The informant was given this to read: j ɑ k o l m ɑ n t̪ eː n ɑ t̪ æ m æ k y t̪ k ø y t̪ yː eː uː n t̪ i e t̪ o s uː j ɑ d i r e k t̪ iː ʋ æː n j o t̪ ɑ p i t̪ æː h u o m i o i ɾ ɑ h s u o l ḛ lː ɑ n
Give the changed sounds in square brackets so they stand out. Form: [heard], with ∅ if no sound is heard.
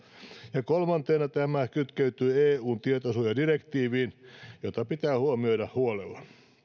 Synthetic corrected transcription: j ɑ k o l m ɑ n t̪ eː n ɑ t̪ æ m æ k y t̪ k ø y t̪ yː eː uː n t̪ i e t̪ o s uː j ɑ d i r e k t̪ iː ʋ [iː] n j o t̪ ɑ p i t̪ æː h u o m i o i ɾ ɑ h [h] u o l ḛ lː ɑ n